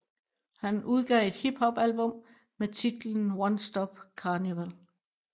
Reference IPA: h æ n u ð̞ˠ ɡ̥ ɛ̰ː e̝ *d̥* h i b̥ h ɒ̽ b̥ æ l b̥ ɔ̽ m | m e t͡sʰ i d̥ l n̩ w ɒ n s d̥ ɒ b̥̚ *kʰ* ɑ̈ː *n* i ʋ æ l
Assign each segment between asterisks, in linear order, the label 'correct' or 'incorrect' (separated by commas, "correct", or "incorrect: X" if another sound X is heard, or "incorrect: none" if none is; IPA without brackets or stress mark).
correct, correct, correct